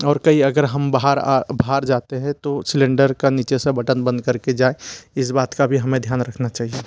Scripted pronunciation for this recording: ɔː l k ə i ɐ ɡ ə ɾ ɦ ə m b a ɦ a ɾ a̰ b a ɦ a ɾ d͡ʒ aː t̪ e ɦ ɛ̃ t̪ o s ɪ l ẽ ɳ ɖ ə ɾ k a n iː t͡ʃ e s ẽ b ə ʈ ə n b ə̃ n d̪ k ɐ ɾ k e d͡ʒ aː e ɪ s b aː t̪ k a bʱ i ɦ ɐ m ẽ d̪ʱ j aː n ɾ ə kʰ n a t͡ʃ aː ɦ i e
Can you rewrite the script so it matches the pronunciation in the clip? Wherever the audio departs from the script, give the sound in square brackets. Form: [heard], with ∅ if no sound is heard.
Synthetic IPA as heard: ɔː [ɾ] k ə i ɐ ɡ ə ɾ ɦ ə m b a ɦ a ɾ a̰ b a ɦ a ɾ d͡ʒ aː t̪ e ɦ ɛ̃ t̪ o s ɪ l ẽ ɳ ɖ ə ɾ k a n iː t͡ʃ e s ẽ b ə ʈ ə n b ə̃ n d̪ k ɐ ɾ k e d͡ʒ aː e ɪ s b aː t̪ k a bʱ i ɦ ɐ m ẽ d̪ʱ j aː n ɾ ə kʰ n a t͡ʃ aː ɦ i e

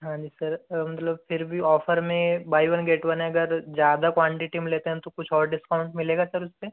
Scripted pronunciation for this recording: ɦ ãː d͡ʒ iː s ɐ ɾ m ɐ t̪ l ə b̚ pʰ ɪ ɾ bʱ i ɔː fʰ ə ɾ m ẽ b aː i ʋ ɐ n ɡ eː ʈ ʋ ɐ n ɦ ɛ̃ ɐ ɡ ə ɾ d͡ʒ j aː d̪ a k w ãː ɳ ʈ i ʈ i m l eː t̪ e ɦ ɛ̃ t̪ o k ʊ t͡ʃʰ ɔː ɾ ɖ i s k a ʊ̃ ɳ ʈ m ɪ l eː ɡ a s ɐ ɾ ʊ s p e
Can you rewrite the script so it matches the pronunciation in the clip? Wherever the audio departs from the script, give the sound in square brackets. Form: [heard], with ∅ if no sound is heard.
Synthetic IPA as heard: ɦ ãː d͡ʒ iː s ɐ ɾ m ɐ t̪ l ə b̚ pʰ ɪ ɾ bʱ i ɔː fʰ ə ɾ m ẽ b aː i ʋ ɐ n ɡ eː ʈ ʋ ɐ n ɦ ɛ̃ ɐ ɡ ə ɾ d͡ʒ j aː d̪ a k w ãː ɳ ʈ i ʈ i m l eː t̪ e ɦ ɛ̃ t̪ o k ʊ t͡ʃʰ ɔː ɾ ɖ [ɪ] s k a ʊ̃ ɳ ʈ m ɪ l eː ɡ a s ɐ ɾ ʊ s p e

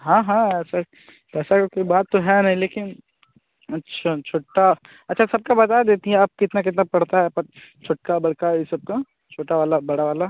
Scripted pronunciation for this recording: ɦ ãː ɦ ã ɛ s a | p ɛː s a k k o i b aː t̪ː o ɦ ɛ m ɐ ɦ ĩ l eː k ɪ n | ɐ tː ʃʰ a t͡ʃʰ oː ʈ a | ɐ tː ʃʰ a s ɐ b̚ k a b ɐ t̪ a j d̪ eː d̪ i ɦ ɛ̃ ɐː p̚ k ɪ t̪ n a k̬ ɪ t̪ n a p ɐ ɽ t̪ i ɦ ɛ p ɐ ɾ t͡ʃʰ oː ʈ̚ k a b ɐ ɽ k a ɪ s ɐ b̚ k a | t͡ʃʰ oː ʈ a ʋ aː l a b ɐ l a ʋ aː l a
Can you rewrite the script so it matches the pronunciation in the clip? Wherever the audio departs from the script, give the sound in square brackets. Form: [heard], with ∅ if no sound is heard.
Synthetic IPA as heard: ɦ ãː ɦ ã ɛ s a | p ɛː s a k k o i b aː t̪ː o ɦ ɛ [n] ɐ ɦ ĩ l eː k ɪ n | ɐ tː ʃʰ a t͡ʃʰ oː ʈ a | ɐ tː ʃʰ a s ɐ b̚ k a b ɐ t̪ a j d̪ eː [t̪] i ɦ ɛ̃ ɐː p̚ k ɪ t̪ n a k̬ ɪ t̪ n a p ɐ ɽ t̪ [a] ɦ ɛ p ɐ ɾ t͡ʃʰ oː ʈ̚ k a b ɐ ɽ k a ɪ s ɐ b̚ k a | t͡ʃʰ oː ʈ a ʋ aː l a b ɐ [ɽ] a ʋ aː l a

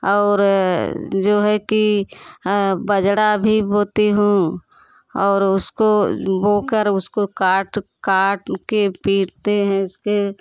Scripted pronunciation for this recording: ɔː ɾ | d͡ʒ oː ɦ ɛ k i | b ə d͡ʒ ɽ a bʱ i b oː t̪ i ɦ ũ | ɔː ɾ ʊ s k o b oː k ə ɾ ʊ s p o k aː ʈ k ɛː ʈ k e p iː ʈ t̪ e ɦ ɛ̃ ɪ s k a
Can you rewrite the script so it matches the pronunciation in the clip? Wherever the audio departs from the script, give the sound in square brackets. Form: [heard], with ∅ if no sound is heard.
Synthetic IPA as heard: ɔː ɾ | d͡ʒ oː ɦ ɛ k i | b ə d͡ʒ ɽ a bʱ i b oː t̪ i ɦ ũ | ɔː ɾ ʊ s k o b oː k ə ɾ ʊ s [k] o k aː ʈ k [aː] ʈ k e p iː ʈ t̪ e ɦ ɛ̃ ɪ s k [e]

